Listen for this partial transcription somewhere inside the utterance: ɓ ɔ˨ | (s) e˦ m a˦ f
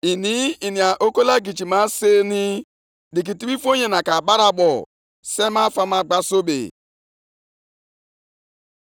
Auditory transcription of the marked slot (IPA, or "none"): s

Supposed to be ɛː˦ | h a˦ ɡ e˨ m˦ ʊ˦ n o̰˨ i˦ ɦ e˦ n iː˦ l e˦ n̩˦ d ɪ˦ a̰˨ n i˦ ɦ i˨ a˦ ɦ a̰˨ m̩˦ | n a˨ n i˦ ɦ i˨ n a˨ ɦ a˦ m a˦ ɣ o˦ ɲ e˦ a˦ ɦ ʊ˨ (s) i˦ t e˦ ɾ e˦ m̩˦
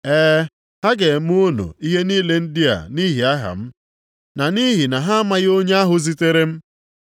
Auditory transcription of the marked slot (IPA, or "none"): z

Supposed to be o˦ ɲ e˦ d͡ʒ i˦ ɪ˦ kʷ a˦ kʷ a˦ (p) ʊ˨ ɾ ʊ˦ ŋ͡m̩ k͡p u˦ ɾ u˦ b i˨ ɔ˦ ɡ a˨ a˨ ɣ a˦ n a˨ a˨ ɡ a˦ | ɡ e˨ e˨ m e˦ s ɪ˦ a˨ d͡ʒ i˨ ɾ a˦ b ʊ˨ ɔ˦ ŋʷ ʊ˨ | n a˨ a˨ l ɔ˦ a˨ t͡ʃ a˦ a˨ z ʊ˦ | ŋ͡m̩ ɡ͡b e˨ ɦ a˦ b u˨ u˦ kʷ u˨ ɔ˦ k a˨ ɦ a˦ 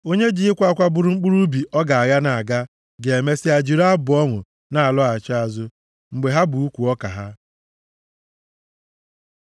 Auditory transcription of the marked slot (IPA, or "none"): b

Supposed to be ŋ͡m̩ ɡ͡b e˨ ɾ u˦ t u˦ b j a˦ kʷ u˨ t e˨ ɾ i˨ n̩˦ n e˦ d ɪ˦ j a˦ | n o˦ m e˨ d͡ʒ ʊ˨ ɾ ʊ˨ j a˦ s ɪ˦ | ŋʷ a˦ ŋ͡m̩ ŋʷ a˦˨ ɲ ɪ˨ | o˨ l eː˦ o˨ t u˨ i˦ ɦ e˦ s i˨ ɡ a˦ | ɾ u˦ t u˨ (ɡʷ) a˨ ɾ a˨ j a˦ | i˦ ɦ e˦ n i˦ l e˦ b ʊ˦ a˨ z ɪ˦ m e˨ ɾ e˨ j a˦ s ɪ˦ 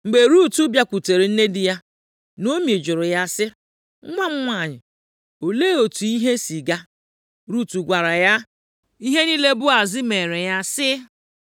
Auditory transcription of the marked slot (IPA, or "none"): ɡʷ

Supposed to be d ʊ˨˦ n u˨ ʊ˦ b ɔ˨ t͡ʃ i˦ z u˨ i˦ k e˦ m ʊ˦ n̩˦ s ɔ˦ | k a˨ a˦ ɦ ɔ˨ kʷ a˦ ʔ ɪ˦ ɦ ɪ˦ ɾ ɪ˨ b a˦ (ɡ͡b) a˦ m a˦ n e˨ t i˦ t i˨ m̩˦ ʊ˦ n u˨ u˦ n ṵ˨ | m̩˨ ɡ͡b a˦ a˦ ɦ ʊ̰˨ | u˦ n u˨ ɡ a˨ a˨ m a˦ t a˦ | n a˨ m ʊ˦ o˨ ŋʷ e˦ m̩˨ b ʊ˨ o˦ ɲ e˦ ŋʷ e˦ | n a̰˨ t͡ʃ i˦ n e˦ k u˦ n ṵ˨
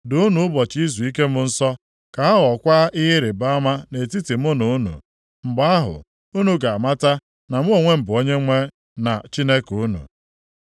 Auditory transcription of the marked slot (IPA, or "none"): none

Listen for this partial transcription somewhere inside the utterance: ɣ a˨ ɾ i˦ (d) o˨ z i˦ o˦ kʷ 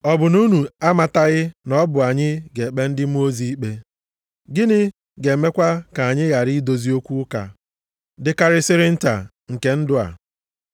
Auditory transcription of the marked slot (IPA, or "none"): d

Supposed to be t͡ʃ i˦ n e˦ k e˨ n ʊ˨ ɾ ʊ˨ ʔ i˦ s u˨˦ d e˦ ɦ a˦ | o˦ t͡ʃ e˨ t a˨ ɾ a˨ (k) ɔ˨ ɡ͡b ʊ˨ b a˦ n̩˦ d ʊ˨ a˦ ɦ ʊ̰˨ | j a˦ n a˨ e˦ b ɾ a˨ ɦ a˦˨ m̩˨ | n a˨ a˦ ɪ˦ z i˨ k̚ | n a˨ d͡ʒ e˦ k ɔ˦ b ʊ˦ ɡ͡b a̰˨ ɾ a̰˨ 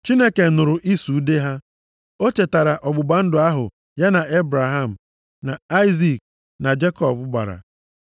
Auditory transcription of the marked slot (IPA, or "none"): ʔ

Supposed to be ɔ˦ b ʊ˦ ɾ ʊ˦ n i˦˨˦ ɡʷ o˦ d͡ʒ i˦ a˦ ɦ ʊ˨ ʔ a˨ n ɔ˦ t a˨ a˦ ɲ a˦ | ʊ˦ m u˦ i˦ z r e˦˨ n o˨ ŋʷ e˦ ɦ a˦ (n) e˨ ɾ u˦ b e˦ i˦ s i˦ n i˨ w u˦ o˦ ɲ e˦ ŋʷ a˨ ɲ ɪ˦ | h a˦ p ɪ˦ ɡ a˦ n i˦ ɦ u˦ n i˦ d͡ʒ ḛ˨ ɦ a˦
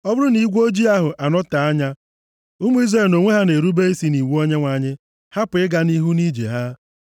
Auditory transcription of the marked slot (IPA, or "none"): n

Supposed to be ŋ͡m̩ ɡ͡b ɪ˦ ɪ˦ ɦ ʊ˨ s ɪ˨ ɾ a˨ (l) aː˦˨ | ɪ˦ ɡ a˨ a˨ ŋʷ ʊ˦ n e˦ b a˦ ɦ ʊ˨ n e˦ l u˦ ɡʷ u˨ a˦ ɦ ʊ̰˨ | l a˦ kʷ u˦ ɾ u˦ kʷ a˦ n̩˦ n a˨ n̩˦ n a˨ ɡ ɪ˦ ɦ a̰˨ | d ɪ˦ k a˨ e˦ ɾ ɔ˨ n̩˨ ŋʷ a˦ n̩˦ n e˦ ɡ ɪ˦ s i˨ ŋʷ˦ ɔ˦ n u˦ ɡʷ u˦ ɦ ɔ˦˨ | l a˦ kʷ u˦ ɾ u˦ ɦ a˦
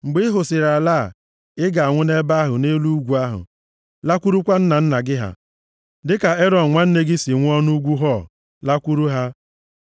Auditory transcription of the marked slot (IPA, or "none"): l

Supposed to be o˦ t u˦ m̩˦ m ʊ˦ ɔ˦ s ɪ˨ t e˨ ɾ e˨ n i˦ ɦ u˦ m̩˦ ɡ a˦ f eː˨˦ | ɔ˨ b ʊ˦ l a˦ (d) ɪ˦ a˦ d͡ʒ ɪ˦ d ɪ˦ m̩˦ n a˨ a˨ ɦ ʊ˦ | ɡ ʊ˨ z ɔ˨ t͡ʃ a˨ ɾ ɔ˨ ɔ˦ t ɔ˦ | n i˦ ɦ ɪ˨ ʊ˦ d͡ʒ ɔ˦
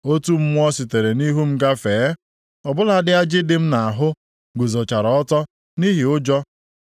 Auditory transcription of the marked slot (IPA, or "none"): d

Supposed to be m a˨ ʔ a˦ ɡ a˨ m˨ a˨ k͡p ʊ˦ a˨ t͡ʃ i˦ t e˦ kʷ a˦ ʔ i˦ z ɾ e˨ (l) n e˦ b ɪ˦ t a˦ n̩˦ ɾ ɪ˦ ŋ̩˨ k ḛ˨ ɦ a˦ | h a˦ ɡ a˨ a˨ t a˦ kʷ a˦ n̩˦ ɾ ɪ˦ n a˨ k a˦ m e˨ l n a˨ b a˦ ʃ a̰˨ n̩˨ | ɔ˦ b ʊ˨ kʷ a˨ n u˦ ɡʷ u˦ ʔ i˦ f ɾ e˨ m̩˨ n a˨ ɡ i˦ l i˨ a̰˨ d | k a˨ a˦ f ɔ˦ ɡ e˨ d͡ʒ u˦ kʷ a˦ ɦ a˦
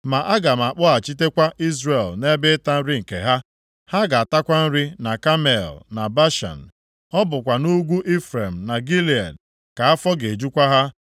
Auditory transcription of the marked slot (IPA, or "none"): l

